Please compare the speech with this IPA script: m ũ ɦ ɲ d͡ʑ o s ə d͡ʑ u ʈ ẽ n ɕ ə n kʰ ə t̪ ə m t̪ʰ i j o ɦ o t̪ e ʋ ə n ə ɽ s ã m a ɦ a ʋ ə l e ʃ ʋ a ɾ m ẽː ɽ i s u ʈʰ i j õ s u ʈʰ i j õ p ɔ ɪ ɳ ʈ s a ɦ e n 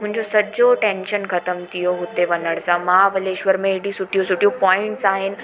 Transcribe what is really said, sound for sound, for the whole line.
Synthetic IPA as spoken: m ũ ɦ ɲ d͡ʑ o s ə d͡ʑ o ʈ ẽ n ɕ ə n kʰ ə t̪ ə m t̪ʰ i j o ɦ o t̪ e ʋ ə n ə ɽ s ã m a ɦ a ʋ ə l e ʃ ʋ ə ɾ m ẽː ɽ i s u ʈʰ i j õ s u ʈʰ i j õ p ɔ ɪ ɳ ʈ s a ɦ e n